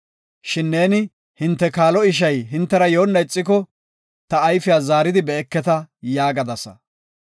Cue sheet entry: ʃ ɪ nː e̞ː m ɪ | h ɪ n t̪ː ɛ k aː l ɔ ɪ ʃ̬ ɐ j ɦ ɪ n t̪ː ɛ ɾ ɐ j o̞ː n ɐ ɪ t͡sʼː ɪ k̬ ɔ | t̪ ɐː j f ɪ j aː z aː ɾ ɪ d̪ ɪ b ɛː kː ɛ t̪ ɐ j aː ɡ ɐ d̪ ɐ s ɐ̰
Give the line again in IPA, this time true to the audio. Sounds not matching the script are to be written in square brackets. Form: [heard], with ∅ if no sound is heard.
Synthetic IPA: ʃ ɪ nː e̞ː [n] ɪ | h ɪ n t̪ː ɛ k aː l ɔ ɪ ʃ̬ ɐ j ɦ ɪ n t̪ː ɛ ɾ ɐ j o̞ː [nː] ɐ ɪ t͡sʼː ɪ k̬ ɔ | t̪ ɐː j f ɪ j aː z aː ɾ ɪ d̪ ɪ b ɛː kː ɛ t̪ ɐ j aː ɡ ɐ d̪ ɐ s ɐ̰